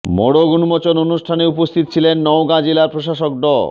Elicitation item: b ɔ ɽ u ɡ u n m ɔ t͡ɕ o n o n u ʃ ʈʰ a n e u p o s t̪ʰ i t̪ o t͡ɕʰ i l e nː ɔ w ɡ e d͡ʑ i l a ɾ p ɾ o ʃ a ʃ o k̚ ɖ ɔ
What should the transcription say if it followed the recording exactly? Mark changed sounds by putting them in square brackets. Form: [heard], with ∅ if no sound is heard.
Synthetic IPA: [m] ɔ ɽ [o] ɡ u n m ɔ t͡ɕ o n o n u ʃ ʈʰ a n e u p o s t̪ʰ i t̪ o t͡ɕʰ i l e nː ɔ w ɡ [a] d͡ʑ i l a ɾ p ɾ o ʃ a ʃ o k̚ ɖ ɔ

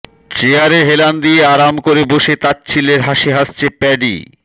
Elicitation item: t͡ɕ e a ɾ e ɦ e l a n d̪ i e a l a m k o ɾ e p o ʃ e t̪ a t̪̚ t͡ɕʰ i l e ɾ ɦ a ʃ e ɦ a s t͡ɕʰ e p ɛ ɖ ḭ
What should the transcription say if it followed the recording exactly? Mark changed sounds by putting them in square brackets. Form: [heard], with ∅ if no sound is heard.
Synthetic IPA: t͡ɕ e a ɾ e ɦ e l a n d̪ i e a [ɾ] a m k o ɾ e [b] o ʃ e t̪ a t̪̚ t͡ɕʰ i l e ɾ ɦ a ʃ e ɦ a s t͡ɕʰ e p ɛ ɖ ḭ

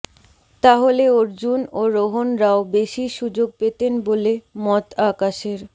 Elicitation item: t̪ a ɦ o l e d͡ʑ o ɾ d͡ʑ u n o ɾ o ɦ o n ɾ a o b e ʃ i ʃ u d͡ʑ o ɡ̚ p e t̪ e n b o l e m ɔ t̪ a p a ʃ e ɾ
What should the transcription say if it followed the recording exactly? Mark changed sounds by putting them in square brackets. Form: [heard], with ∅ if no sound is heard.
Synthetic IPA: t̪ a ɦ o l e [∅] o ɾ d͡ʑ u n o ɾ o ɦ o n ɾ a o b e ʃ i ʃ u d͡ʑ o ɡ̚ p e t̪ e n b o l e m ɔ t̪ a [k] a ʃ e ɾ

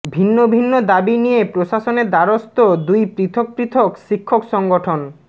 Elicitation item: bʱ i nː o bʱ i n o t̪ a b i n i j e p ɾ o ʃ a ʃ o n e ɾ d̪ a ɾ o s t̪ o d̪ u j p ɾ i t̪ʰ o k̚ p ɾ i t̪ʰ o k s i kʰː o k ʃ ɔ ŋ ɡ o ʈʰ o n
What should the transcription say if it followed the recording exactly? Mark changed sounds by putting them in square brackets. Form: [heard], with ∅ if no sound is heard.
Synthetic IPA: bʱ i nː o bʱ i [nː] o [d̪] a b i n i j e p ɾ o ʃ a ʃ o n e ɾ d̪ a ɾ o s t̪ o d̪ u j p ɾ i t̪ʰ o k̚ p ɾ i t̪ʰ o k [ʃ] i kʰː o k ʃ ɔ ŋ ɡ o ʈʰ o n

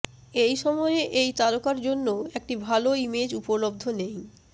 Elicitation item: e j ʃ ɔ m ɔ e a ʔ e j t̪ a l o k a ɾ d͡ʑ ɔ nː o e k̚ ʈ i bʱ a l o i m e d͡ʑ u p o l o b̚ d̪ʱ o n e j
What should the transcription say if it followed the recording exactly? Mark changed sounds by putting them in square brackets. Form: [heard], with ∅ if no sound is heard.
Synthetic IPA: e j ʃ ɔ m ɔ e [e] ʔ e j t̪ a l o k a ɾ d͡ʑ [o] nː o e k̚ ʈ i bʱ a l o i m e d͡ʑ u p o l o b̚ d̪ʱ o n e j

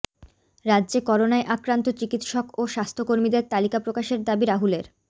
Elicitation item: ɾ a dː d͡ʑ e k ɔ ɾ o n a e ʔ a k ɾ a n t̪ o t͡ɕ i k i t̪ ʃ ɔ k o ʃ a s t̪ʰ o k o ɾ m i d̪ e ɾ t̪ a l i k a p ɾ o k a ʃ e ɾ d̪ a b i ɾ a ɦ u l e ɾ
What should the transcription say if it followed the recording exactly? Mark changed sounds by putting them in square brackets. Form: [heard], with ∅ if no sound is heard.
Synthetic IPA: ɾ a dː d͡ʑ e k ɔ ɾ o n a e ʔ a k ɾ a n t̪ o t͡ɕ i k i t̪ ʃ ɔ k o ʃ a s t̪ʰ o k o ɾ m i d̪ e ɾ t̪ a l i k a p ɾ o k a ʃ e ɾ d̪ a b i ɾ a ɦ u l e ɾ

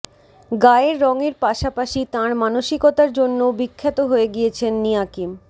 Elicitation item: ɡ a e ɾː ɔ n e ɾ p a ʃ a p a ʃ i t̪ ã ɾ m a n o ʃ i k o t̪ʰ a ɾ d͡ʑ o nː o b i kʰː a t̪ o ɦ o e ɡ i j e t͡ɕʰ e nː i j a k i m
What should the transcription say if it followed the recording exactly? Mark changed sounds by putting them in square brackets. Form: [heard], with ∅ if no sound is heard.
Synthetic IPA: ɡ a e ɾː ɔ [ŋ] e ɾ p a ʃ a p a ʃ i t̪ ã ɾ m a n o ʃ i k o [t̪] a ɾ d͡ʑ o nː o b i kʰː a t̪ o ɦ o e ɡ i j e t͡ɕʰ e nː i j a k i m

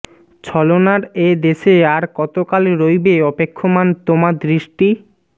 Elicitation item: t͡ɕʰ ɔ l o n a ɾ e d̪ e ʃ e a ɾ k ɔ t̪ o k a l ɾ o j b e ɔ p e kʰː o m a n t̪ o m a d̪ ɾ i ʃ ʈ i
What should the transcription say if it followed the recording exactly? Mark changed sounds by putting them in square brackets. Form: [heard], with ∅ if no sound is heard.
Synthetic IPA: t͡ɕʰ ɔ l o n a ɾ e d̪ e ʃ e a ɾ k ɔ t̪ o k a l ɾ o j b e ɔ p e kʰː o m a n t̪ o m a d̪ ɾ i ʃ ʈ i

